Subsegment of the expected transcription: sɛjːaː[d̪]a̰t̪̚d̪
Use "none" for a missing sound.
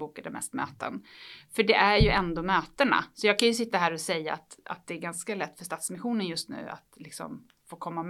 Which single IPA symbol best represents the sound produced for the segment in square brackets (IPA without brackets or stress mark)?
t̪